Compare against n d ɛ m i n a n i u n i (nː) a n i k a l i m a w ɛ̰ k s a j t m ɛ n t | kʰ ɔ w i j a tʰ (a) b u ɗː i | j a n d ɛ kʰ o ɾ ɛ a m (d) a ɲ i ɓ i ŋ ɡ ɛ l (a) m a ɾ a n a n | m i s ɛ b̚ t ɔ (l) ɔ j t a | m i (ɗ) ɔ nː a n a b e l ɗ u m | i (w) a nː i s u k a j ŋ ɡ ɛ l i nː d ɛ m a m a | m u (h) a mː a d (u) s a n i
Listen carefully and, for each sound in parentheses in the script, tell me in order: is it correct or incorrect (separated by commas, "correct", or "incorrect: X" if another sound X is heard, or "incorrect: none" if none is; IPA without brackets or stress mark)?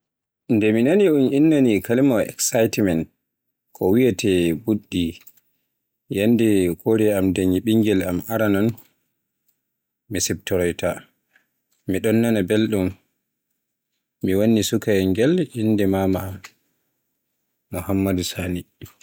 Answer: correct, incorrect: ɛ, correct, correct, incorrect: ɾ, correct, correct, correct, correct